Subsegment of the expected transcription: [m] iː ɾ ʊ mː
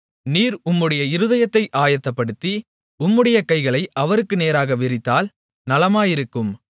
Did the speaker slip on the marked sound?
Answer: yes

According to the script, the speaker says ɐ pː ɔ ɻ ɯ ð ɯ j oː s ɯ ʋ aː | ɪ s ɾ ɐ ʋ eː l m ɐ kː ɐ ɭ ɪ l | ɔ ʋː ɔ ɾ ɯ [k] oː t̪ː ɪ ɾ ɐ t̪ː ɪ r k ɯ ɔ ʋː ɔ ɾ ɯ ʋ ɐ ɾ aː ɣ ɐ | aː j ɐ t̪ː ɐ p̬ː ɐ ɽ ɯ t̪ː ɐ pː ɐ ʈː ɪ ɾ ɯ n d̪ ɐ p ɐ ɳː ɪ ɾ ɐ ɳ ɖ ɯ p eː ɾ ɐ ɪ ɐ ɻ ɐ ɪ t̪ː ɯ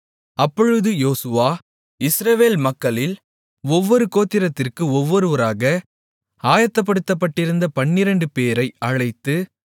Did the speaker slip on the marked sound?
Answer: no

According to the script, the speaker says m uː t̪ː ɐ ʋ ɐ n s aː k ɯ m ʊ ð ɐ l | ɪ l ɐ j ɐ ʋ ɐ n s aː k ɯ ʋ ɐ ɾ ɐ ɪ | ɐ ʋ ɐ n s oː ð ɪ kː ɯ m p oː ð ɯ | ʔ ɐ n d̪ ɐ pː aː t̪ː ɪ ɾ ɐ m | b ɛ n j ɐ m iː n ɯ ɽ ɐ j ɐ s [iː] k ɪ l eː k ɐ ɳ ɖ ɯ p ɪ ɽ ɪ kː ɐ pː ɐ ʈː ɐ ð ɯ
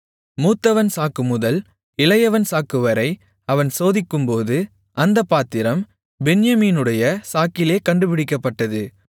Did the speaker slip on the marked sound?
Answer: yes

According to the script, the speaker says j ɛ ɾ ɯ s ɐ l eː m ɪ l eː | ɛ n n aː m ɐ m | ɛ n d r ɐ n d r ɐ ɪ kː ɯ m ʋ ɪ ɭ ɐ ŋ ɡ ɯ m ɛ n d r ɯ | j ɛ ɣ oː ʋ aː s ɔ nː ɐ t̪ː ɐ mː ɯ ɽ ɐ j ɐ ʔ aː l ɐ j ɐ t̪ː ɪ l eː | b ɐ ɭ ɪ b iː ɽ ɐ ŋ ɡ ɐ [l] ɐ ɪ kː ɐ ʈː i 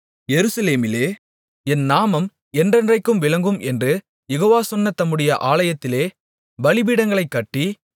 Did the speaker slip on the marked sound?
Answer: yes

